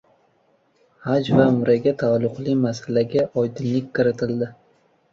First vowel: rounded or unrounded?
unrounded